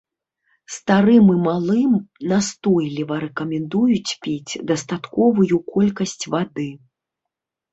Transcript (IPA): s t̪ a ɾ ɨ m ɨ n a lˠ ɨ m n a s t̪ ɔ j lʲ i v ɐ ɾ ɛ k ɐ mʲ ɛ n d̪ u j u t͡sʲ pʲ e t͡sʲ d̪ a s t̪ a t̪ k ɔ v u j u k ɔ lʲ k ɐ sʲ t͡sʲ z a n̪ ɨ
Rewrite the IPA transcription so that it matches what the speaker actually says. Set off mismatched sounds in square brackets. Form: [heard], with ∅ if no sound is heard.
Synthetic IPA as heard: s t̪ a ɾ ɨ m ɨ [m] a lˠ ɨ m n a s t̪ ɔ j lʲ i v ɐ ɾ ɛ k ɐ mʲ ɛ n d̪ u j u t͡sʲ pʲ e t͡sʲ d̪ [ɐ] s t̪ a t̪ k ɔ v u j u k ɔ lʲ k ɐ sʲ t͡sʲ [v] a [d̪] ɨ